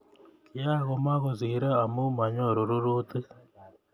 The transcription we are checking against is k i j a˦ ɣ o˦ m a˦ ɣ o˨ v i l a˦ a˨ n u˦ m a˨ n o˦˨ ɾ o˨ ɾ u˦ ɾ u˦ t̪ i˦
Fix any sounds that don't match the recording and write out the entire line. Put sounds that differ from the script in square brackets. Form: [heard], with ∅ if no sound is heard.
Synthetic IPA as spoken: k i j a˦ ɣ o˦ m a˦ ɣ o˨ [z] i [ɾ] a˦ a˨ [m] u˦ m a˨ [ɲ] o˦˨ ɾ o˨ ɾ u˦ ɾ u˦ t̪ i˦